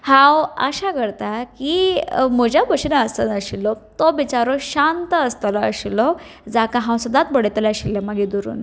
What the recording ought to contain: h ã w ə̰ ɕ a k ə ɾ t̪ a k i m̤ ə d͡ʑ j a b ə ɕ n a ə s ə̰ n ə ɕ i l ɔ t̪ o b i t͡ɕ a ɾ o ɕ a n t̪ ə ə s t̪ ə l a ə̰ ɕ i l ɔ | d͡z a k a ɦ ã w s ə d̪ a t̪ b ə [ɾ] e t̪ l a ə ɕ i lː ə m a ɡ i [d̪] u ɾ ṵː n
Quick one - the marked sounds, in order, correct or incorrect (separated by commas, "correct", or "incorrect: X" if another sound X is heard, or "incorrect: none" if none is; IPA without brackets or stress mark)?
incorrect: ɽ, correct